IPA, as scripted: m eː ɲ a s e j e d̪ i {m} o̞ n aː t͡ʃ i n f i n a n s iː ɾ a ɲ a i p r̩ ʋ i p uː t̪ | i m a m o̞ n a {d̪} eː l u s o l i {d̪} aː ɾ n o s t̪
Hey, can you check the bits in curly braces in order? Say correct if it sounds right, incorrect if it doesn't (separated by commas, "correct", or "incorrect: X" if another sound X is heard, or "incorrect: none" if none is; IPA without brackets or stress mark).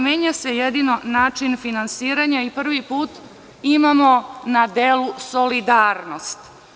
incorrect: n, correct, correct